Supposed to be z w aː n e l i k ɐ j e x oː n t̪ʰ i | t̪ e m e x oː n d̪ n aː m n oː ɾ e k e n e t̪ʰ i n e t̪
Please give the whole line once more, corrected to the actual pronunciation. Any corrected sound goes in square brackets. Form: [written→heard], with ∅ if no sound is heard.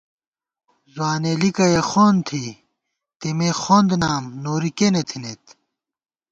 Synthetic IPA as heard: z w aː n e l i k ɐ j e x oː n t̪ʰ i | t̪ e m e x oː n d̪ n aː m n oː ɾ [e→i] k e n e t̪ʰ i n e t̪